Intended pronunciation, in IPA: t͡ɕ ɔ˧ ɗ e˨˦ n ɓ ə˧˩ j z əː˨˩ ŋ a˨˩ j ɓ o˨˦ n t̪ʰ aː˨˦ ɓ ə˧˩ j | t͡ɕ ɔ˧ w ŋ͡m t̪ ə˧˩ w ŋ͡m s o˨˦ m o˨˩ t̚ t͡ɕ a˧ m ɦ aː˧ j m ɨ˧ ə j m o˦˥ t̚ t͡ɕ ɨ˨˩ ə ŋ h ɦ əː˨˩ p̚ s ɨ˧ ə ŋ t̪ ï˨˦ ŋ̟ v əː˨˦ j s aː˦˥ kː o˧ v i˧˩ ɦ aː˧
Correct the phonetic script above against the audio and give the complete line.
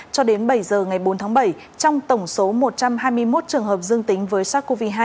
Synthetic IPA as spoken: t͡ɕ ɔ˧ ɗ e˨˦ n ɓ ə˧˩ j z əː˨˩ ŋ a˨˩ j ɓ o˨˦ n t̪ʰ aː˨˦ ɓ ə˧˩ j | t͡ɕ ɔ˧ w ŋ͡m t̪ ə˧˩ w ŋ͡m s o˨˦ m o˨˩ t̚ t͡ɕ a˧ m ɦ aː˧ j m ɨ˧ ə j m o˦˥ t̚ t͡ɕ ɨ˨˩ ə ŋ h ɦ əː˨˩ p̚ z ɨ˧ ə ŋ t̪ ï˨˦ ŋ̟ v əː˨˦ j s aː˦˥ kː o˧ v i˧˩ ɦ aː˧

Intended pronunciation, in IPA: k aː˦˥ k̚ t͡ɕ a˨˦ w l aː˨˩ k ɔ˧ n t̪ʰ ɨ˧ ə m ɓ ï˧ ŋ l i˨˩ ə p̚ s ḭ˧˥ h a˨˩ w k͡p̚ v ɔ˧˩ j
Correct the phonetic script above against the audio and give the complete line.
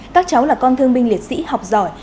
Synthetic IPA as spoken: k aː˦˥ k̚ t͡ɕ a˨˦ w l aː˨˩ k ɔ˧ n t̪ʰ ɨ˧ ə ŋ ɓ ï˧ ŋ l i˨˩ ə t̚ s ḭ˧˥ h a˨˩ w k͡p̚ z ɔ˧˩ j

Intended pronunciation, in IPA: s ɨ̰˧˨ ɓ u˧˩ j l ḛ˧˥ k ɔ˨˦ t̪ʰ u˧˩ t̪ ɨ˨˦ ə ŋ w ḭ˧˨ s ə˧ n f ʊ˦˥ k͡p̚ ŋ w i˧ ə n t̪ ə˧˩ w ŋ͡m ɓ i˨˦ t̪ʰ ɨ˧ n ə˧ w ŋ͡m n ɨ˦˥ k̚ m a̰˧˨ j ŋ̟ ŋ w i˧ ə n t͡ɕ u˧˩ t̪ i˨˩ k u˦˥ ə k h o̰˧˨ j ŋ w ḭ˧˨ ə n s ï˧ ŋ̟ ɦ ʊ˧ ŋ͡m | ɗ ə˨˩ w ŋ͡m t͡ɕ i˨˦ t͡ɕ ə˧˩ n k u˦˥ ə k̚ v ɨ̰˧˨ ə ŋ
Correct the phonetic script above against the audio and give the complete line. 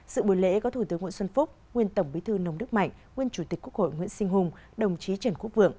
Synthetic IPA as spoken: s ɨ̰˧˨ ɓ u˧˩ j l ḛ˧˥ k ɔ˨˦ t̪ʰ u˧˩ t̪ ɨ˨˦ ə ŋ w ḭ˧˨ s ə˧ n f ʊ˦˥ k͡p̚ ŋ w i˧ ə n t̪ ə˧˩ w ŋ͡m ɓ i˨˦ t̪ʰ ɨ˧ n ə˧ w ŋ͡m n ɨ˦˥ k̚ m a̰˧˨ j ŋ̟ ŋ w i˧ ə n t͡ɕ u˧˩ t̪ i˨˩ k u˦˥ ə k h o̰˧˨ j ŋ w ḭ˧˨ ə n s ï˧ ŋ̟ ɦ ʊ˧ ŋ͡m | ɗ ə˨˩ w ŋ͡m t͡ɕ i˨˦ t͡ɕ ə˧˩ n k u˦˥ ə k̚ v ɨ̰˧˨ ə ŋ

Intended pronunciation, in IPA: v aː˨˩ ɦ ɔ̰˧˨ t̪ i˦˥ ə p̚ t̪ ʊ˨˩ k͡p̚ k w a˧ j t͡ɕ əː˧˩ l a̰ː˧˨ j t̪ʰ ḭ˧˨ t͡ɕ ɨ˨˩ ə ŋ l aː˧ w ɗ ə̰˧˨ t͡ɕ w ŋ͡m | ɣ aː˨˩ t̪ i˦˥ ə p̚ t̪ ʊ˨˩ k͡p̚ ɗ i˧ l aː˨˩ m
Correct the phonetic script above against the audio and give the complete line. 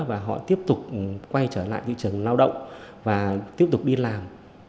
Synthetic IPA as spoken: v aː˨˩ ɦ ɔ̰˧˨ t̪ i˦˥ ə p̚ t̪ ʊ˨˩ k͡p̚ k w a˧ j t͡ɕ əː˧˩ l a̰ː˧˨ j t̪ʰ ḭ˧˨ t͡ɕ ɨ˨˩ ə ŋ l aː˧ w ɗ ə̰˧˨ w ŋ͡m | v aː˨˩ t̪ i˦˥ ə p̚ t̪ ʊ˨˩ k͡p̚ ɗ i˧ l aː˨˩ m

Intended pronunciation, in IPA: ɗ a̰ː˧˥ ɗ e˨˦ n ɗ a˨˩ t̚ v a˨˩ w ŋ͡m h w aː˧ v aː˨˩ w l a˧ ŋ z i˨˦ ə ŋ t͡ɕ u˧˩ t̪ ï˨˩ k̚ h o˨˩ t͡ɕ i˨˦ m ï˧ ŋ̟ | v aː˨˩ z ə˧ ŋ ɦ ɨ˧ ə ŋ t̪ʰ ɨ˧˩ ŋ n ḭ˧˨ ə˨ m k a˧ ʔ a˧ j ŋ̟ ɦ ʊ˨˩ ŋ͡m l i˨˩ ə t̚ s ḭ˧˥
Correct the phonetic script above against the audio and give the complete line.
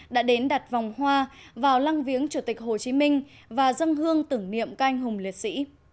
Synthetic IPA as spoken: ɗ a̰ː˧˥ ɗ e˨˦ n ɗ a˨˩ t̚ v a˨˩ w ŋ͡m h w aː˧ v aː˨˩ w l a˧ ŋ v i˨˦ ə ŋ t͡ɕ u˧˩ t̪ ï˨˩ k̚ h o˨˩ t͡ɕ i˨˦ m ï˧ ŋ̟ | v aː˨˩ z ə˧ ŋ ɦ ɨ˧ ə ŋ t̪ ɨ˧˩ ŋ n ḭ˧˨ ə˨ m k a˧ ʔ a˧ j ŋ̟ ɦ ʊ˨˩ ŋ͡m l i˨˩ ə t̚ s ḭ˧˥

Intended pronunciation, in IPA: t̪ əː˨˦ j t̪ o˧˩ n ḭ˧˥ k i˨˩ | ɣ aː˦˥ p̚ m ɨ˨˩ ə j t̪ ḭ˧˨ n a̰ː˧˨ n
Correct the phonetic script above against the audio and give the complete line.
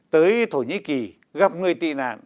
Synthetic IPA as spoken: t̪ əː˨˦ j t̪ʰ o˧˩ ɲ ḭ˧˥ k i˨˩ | ɣ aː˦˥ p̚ ŋ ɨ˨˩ ə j t̪ ḭ˧˨ n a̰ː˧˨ n

